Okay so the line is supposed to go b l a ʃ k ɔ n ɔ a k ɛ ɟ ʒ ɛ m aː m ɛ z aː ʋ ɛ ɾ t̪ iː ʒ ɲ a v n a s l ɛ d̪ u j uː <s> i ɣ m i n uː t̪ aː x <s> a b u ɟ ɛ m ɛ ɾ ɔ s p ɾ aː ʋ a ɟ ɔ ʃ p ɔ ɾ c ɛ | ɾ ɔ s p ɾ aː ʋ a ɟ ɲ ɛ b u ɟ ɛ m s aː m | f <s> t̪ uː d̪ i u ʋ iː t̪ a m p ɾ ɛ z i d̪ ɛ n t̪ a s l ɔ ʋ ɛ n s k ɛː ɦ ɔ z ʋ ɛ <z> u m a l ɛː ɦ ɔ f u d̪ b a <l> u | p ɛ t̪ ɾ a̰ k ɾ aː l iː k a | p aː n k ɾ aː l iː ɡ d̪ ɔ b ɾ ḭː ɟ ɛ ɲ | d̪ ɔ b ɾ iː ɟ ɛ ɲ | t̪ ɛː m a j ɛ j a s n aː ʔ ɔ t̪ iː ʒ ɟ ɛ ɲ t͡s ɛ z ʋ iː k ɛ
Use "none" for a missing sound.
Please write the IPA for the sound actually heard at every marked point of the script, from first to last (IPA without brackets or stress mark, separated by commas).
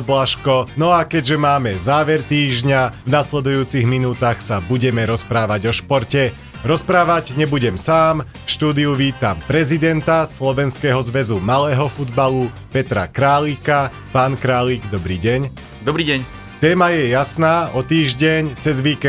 t͡s, s, ʃ, z, l